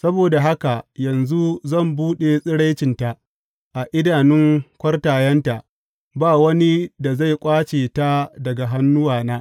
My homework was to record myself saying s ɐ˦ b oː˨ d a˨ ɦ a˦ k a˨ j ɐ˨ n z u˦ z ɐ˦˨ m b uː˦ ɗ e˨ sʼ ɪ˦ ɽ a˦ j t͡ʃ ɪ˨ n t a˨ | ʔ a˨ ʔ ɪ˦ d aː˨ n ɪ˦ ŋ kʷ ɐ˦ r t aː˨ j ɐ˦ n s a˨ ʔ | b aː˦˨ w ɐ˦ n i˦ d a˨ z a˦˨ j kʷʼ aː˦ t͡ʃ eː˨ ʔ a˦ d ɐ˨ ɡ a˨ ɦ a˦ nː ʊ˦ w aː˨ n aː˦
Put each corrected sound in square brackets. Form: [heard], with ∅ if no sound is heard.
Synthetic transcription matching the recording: s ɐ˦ b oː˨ d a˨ ɦ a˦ k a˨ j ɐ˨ n z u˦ z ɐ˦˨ m b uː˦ ɗ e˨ sʼ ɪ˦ ɽ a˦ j t͡ʃ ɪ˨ n t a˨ | ʔ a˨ ʔ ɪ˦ d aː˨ n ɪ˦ ŋ kʷ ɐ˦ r t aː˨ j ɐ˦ n [t] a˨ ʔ | b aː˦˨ w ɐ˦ n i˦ d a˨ z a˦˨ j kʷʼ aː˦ t͡ʃ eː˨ [t] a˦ d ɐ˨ ɡ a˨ ɦ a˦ nː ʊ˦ w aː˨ n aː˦

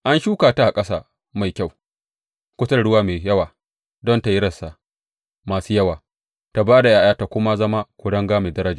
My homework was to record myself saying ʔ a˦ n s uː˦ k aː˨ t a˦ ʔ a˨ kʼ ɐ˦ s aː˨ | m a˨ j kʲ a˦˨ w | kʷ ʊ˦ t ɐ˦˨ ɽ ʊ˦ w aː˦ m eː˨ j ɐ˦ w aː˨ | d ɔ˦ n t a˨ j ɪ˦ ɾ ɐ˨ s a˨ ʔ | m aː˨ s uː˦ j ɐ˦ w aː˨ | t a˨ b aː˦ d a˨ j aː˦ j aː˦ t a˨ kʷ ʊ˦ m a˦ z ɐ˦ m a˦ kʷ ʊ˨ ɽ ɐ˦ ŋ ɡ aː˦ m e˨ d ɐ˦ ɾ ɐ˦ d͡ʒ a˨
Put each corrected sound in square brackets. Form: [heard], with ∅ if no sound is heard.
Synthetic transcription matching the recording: ʔ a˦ n [ʃ] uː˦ k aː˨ t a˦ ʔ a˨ kʼ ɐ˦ s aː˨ | m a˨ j kʲ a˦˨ w | kʷ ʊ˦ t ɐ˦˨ ɽ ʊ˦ w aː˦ m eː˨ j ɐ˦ w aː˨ | d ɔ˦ n t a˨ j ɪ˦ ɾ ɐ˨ s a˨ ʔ | m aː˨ s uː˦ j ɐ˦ w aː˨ | t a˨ b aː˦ d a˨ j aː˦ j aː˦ t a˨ kʷ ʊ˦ m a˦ z ɐ˦ m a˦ kʷ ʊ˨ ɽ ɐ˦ ŋ ɡ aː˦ m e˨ d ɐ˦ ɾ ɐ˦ d͡ʒ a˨

